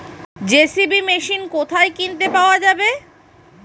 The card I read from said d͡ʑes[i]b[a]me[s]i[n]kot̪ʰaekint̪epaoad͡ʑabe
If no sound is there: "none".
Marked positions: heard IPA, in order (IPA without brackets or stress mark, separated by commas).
i, i, ʃ, n